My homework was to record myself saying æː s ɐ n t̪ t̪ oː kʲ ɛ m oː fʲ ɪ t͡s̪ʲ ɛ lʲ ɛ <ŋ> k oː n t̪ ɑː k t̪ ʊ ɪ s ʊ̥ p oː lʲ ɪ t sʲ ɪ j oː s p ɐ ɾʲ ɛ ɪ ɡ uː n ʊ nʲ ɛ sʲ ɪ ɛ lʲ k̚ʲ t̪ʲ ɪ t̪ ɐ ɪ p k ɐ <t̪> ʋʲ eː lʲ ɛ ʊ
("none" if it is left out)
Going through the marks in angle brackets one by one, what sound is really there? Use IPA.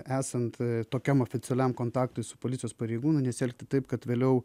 m, t̪

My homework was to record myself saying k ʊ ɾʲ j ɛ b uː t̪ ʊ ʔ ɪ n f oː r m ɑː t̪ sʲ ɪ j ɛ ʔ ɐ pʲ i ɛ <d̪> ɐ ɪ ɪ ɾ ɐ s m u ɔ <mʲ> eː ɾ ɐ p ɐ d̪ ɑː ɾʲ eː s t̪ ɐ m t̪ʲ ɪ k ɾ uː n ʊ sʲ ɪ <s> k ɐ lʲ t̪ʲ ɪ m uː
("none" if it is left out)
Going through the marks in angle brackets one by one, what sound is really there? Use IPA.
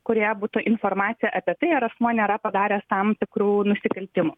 t̪, nʲ, none

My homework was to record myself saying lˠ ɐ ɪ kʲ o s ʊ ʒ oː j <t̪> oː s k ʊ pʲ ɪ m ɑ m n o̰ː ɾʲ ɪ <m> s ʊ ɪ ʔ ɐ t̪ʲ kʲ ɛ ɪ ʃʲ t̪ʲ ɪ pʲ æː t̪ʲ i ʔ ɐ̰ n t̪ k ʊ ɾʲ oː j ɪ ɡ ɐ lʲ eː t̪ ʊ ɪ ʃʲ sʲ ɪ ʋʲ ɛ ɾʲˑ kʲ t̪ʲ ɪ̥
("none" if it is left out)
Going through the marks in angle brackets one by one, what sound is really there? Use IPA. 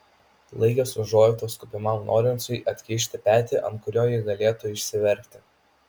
t̪, n

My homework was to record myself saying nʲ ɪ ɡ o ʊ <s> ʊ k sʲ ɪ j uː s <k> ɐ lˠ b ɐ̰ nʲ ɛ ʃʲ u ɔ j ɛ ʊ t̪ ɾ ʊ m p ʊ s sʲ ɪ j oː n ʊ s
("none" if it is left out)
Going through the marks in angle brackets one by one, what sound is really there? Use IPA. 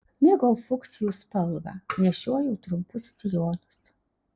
f, p

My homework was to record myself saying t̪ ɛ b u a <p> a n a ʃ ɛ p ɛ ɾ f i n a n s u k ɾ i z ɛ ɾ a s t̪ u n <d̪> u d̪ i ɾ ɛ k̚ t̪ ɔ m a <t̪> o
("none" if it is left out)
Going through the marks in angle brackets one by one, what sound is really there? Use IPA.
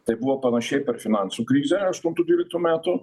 p, t̪, t̪

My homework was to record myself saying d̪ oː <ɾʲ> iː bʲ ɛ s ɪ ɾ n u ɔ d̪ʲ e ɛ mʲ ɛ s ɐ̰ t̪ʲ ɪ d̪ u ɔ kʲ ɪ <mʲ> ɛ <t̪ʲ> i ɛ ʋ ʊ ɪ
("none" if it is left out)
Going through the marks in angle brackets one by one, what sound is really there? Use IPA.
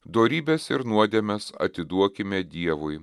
ɾʲ, mʲ, d̪ʲ

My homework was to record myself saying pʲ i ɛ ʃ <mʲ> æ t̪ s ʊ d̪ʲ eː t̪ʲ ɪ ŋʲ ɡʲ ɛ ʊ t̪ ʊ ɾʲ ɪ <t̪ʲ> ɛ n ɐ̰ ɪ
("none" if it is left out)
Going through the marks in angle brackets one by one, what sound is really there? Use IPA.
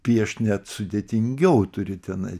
nʲ, t̪ʲ

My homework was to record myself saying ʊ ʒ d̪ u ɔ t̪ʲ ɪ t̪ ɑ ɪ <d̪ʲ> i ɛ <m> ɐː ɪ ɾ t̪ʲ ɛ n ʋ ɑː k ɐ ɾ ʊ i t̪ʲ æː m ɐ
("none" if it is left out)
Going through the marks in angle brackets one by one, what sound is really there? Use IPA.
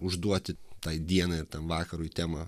d̪ʲ, n

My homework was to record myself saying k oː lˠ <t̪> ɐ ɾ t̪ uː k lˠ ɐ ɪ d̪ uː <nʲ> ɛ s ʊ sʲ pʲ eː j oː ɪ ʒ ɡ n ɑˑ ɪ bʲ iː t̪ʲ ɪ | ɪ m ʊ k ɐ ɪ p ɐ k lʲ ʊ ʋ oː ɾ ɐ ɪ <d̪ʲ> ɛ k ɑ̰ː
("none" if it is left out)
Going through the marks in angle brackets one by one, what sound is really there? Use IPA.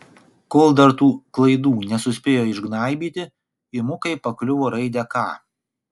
d̪, nʲ, d̪ʲ

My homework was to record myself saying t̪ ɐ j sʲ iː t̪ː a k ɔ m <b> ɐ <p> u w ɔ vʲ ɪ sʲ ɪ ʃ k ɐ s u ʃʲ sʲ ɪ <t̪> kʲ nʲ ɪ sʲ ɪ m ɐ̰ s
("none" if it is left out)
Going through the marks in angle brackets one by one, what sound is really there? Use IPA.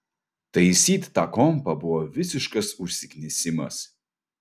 p, b, none

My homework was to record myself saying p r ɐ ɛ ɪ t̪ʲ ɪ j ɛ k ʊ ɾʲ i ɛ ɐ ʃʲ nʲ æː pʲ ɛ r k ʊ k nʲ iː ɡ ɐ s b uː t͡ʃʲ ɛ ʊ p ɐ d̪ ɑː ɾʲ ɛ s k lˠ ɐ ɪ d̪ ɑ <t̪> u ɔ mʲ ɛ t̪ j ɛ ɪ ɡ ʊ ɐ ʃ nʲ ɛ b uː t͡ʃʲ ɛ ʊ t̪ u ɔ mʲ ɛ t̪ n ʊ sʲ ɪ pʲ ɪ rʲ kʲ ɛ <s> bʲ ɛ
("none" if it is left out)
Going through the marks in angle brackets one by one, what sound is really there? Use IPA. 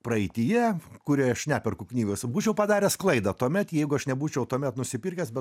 t̪, s

